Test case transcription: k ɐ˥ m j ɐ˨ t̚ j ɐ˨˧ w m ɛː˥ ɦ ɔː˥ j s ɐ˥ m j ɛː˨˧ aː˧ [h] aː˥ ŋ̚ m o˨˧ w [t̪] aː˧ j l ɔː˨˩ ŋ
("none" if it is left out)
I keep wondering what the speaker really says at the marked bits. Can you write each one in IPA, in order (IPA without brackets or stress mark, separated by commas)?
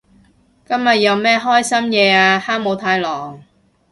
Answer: h, t̪ʰ